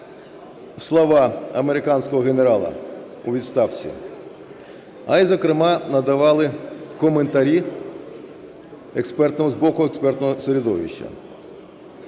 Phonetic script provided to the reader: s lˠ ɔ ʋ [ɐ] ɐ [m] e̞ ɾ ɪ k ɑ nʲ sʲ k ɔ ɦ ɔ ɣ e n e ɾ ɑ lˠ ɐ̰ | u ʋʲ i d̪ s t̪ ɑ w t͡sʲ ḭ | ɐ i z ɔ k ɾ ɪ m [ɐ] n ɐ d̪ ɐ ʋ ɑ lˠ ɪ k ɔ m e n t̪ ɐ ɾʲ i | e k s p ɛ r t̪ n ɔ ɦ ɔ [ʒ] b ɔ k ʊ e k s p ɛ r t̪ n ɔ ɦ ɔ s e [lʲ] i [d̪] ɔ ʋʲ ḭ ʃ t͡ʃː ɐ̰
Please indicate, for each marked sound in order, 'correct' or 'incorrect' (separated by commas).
incorrect, correct, incorrect, incorrect, incorrect, correct